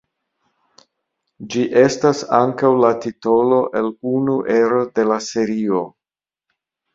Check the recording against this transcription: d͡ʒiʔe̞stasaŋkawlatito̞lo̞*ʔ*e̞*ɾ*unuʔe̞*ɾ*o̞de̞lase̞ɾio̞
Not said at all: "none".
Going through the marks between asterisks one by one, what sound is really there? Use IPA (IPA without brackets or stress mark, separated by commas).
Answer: ʔ, l, ɾ